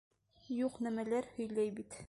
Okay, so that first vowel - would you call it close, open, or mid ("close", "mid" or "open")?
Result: close